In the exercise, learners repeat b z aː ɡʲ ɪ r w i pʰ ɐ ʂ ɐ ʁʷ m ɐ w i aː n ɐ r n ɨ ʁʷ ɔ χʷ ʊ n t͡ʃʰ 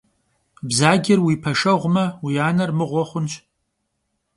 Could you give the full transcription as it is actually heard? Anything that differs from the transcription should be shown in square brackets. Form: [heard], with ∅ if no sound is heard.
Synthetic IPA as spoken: b z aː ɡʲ ɪ r w i pʰ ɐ ʂ ɐ ʁʷ m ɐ w i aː n ɐ r [m] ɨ ʁʷ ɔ χʷ ʊ n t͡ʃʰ